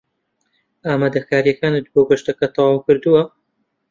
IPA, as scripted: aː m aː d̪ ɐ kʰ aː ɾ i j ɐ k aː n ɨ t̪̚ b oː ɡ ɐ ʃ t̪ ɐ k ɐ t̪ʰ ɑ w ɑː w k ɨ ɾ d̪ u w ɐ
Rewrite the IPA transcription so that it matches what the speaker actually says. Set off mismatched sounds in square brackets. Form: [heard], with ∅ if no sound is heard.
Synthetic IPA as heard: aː m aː d̪ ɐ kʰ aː ɾ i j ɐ k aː n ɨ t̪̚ b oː ɡ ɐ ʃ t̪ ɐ k ɐ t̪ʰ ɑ w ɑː w k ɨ ɾ d̪ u w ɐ